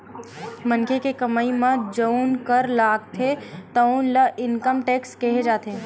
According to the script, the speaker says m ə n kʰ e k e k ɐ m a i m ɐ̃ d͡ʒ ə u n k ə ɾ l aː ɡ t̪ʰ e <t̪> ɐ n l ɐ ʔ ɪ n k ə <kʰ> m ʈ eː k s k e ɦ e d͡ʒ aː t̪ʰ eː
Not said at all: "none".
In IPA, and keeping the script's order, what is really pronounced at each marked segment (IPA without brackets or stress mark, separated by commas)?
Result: t̪, none